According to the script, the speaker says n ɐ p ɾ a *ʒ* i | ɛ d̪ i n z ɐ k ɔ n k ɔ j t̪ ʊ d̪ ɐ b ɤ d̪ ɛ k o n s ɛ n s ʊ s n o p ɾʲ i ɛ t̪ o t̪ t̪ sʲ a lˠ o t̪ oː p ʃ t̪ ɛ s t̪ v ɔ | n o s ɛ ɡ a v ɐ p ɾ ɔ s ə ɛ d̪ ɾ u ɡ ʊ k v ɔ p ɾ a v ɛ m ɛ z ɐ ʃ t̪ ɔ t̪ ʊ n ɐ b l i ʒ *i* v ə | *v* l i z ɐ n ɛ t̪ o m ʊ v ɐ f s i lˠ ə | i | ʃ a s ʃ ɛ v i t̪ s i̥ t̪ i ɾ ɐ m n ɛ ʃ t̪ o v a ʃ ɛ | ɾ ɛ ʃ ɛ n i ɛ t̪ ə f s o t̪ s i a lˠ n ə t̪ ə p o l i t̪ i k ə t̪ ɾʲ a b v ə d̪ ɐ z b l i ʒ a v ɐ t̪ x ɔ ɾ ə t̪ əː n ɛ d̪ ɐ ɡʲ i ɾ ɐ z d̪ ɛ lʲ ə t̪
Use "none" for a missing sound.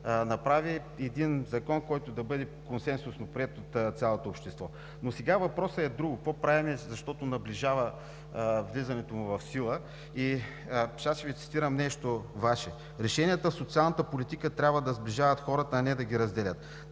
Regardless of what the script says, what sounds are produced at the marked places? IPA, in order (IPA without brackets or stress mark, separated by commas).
v, a, v